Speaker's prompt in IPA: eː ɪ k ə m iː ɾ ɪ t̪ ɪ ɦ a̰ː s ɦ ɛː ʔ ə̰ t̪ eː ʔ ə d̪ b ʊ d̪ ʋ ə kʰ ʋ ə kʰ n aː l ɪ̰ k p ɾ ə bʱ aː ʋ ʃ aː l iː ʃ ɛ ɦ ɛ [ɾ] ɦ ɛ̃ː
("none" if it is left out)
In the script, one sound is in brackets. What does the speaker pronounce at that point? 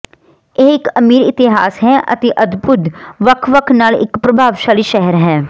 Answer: ɾ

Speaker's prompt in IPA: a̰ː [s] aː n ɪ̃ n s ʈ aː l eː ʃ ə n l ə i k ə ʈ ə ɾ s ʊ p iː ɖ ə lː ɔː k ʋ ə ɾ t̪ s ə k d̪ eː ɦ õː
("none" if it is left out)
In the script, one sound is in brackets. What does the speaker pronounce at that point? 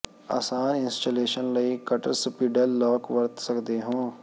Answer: s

